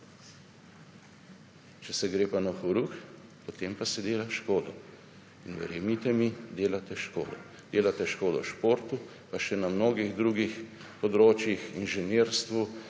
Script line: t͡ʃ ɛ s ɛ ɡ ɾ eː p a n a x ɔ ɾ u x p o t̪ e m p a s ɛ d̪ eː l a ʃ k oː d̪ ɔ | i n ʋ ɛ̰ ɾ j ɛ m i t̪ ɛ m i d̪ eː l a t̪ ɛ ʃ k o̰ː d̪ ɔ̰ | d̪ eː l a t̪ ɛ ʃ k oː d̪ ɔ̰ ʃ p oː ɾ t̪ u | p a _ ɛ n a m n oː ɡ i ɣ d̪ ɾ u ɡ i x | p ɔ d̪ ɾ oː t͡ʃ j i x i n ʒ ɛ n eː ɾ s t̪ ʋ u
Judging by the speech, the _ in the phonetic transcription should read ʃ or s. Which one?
ʃ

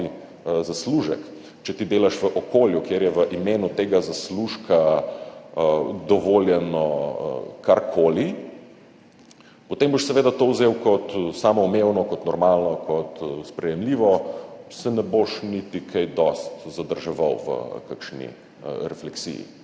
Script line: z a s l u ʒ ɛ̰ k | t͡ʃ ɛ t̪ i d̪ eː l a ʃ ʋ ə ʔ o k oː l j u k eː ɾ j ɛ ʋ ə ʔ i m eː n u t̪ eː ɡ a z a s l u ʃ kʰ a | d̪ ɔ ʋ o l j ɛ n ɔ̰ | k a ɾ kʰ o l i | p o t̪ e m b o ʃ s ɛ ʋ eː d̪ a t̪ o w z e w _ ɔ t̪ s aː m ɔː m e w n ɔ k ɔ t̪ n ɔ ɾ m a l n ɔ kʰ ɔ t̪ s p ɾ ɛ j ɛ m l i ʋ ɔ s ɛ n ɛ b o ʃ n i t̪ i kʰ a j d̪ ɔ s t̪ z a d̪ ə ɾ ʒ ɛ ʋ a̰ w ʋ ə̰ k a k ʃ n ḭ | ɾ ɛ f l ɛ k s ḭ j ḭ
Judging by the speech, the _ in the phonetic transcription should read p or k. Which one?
k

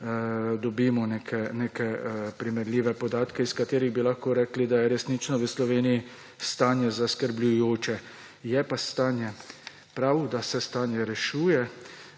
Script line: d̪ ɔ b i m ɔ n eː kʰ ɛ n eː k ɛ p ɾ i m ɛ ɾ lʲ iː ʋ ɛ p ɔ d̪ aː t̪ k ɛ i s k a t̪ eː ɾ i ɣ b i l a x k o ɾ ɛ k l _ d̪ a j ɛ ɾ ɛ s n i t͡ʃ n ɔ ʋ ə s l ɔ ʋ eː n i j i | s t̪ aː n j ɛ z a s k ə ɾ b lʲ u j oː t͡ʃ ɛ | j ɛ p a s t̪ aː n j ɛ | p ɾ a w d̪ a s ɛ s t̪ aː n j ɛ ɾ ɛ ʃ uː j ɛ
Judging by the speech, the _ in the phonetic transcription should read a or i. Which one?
i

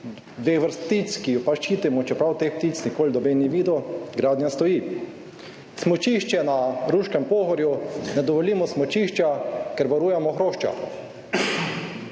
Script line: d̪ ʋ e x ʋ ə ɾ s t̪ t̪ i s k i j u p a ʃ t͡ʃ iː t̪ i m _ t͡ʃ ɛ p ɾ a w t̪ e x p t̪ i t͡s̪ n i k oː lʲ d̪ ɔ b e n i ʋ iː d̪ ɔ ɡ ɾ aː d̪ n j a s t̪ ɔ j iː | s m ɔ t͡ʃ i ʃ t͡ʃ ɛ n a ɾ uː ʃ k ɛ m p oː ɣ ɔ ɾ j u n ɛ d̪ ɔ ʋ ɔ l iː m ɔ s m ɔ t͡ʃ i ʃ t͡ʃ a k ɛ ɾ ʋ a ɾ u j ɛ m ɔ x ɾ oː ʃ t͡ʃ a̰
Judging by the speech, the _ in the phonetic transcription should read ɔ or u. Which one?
ɔ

